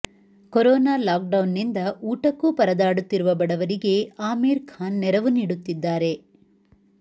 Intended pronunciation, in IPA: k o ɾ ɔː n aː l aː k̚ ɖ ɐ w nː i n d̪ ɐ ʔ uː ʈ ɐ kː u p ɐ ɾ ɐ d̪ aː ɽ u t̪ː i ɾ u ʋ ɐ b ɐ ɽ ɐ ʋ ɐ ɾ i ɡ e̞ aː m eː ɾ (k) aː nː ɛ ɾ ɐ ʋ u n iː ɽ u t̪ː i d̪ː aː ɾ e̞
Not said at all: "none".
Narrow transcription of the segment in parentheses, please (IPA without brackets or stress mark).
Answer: kʰ